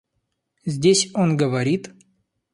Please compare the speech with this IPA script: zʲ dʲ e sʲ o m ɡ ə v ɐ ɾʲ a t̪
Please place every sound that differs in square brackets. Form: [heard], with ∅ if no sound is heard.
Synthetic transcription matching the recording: zʲ dʲ e sʲ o [n] ɡ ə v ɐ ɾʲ [i] t̪